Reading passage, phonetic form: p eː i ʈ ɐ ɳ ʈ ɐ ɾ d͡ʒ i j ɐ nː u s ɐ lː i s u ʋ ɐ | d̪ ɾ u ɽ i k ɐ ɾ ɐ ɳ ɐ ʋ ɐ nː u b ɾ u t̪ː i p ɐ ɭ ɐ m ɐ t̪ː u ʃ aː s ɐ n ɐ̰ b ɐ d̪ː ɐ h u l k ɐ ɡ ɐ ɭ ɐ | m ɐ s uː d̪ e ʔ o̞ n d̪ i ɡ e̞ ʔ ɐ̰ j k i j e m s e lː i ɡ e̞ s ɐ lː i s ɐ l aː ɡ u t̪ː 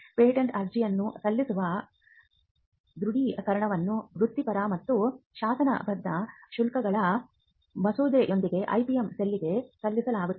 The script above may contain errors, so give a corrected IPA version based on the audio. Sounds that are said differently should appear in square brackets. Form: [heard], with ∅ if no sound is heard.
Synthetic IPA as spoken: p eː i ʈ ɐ ɳ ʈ ɐ ɾ d͡ʒ i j ɐ nː u s ɐ lː i s u ʋ ɐ | d̪ ɾ u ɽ i k ɐ ɾ ɐ ɳ ɐ ʋ ɐ nː u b ɾ u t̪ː i p ɐ [ɾ] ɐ m ɐ t̪ː u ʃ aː s ɐ n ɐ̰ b ɐ d̪ː ɐ [ʃ] u l k ɐ ɡ ɐ ɭ ɐ | m ɐ s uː d̪ e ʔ o̞ n d̪ i ɡ e̞ ʔ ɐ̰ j [p] i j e m s e lː i ɡ e̞ s ɐ lː i s ɐ l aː ɡ u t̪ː

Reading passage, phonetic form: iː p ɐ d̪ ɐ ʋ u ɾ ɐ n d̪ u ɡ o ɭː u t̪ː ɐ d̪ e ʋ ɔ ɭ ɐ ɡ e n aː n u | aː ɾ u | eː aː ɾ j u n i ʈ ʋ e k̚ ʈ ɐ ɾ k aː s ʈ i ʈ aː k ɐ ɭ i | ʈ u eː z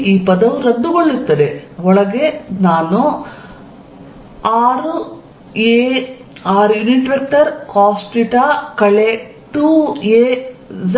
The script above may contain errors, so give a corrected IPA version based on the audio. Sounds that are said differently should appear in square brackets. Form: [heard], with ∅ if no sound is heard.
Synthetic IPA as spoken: iː p ɐ d̪ ɐ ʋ u ɾ ɐ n d̪ u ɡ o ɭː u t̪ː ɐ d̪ e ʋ ɔ ɭ ɐ ɡ e n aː n u | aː ɾ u | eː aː ɾ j u n i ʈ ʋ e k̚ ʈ ɐ ɾ k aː s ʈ i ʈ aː k ɐ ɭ [e] | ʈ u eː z

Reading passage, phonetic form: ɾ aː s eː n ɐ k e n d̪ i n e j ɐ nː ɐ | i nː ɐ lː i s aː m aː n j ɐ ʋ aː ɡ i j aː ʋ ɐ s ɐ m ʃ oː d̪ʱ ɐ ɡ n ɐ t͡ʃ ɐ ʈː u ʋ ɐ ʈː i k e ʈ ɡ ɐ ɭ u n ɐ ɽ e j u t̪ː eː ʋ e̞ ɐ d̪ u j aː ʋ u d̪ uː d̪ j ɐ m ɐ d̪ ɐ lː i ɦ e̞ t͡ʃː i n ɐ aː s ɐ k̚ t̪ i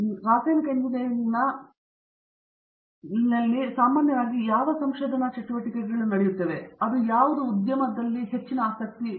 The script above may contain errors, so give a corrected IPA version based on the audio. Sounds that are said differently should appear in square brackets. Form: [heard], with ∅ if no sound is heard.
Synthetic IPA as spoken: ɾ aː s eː n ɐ k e n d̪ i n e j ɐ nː ɐ | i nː ɐ lː i s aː m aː n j ɐ ʋ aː ɡ i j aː ʋ ɐ s ɐ m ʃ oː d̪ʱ ɐ [∅] n ɐ t͡ʃ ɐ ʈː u ʋ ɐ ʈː i k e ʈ ɡ ɐ ɭ u n ɐ ɽ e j u t̪ː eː ʋ e̞ ɐ d̪ u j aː ʋ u d̪ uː d̪ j ɐ m ɐ d̪ ɐ lː i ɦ e̞ t͡ʃː i n ɐ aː s ɐ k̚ t̪ i

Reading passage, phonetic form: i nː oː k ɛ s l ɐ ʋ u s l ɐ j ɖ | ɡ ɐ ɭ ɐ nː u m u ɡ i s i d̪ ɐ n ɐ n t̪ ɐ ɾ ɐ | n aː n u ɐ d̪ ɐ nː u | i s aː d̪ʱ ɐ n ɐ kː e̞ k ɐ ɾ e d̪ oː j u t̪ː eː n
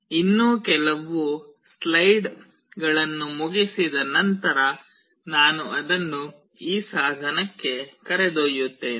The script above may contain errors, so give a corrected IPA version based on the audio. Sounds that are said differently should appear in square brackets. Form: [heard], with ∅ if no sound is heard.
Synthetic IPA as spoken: i nː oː k ɛ [∅] l ɐ ʋ u s l ɐ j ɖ | ɡ ɐ ɭ ɐ nː u m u ɡ i s i d̪ ɐ n ɐ n t̪ ɐ ɾ ɐ | n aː n u ɐ d̪ ɐ nː u | [iː] s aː d̪ʱ ɐ n ɐ kː e̞ k ɐ ɾ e d̪ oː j u t̪ː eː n

